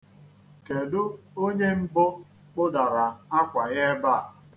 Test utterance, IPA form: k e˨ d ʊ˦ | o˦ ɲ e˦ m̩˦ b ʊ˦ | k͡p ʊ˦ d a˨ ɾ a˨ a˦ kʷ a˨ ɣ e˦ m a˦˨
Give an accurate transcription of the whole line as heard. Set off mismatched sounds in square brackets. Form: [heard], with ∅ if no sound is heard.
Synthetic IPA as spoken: k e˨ d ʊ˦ | o˦ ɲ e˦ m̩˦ b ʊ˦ | k͡p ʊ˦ d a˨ ɾ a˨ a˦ kʷ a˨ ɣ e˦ [b] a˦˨